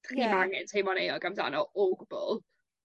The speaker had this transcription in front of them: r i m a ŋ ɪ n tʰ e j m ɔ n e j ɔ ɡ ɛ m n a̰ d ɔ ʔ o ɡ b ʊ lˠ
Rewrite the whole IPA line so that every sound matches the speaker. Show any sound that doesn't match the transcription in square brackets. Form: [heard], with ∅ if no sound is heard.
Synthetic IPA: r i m a ŋ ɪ n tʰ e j m ɔ n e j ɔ ɡ [a] m [d] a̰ [n] ɔ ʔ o ɡ b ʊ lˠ